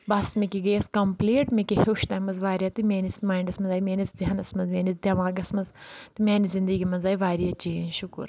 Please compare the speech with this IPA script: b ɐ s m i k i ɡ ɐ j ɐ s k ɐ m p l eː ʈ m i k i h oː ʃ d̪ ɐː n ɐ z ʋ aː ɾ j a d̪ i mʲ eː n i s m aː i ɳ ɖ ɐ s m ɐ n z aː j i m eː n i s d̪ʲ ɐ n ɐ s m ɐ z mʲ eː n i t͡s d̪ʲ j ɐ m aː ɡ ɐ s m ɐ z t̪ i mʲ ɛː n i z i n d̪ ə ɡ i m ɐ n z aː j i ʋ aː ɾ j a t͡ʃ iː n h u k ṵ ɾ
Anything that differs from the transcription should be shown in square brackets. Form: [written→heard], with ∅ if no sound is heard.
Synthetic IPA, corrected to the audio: b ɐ s m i k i ɡ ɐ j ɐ s k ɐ m p l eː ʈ m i k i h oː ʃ [d̪→t̪] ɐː [n→m] ɐ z ʋ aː ɾ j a [d̪→t̪] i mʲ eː n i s m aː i ɳ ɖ ɐ s m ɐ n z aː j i m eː n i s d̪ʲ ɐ n ɐ s m ɐ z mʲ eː n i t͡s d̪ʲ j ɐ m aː ɡ ɐ s m ɐ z t̪ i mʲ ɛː n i z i n d̪ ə ɡ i m ɐ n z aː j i ʋ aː ɾ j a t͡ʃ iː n [h→ʃ] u k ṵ ɾ